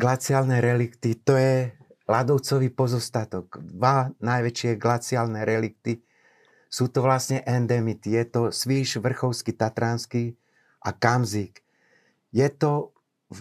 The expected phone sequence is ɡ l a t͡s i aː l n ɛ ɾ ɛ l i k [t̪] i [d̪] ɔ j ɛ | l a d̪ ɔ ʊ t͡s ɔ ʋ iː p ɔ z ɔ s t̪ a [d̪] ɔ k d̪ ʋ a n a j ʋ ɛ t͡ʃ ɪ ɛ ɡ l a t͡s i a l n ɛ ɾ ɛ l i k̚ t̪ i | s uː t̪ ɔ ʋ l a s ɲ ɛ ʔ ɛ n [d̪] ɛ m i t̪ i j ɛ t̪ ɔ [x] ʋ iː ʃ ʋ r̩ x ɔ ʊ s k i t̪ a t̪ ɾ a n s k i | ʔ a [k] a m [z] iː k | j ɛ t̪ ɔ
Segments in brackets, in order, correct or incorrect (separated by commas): correct, incorrect, incorrect, correct, incorrect, correct, correct